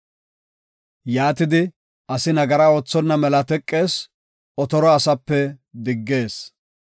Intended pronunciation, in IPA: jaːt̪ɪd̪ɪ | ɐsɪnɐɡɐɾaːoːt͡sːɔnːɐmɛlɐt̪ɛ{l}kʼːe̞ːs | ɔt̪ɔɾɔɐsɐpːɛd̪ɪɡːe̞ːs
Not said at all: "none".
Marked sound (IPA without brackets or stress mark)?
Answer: none